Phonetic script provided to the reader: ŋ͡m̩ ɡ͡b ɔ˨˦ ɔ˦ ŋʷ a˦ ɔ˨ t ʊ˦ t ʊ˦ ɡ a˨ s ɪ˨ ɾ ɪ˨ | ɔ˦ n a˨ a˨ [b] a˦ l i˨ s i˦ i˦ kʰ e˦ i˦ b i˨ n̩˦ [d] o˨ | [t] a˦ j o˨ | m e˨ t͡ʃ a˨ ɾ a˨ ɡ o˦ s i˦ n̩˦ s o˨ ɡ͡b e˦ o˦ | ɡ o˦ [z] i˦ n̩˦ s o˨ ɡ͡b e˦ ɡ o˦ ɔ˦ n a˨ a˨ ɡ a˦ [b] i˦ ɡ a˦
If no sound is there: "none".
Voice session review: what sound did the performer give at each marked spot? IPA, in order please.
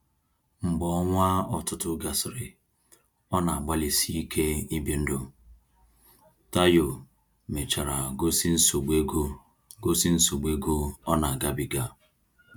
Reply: ɡ͡b, d, t, s, b

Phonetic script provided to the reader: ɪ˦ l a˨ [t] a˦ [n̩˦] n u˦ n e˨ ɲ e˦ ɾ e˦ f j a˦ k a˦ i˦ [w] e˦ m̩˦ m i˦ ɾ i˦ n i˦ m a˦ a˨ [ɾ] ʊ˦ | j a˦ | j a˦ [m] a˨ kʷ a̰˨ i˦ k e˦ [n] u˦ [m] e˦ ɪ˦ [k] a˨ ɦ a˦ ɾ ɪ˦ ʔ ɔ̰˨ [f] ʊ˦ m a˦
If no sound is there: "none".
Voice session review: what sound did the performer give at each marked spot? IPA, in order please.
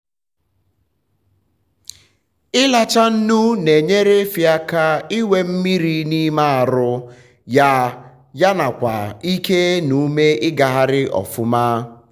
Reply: t͡ʃ, n̩˦, w, ɾ, n, n, m, ɡ, f

